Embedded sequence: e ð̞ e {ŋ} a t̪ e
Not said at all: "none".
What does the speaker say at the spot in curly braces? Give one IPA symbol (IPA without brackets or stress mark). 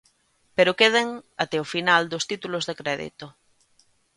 ŋ